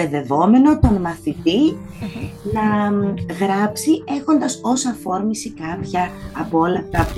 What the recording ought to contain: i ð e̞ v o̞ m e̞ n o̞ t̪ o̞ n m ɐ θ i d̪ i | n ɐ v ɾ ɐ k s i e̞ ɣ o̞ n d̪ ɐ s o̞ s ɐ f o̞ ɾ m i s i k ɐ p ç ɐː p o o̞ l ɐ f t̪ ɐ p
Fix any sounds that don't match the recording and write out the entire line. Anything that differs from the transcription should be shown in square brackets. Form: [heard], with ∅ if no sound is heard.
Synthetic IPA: [e] ð e̞ v o̞ m e̞ n o̞ t̪ o̞ n m ɐ θ i [t̪] i | n ɐ [ɣ] ɾ ɐ [p] s i e̞ [x] o̞ n d̪ ɐ s o̞ s ɐ f o̞ ɾ m i s i k ɐ p ç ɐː p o o̞ l ɐ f t̪ ɐ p